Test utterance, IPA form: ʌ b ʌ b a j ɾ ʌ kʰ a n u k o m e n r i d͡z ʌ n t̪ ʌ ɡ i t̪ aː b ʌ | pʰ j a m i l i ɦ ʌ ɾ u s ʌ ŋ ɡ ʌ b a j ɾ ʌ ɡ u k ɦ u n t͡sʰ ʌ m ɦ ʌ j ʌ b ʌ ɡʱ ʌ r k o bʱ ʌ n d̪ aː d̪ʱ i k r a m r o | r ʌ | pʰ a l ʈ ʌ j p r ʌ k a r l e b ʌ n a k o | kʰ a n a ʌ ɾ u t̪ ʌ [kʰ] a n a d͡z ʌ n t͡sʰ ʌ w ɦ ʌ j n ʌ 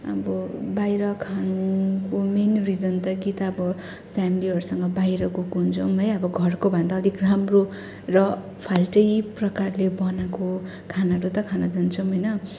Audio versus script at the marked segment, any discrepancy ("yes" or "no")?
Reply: no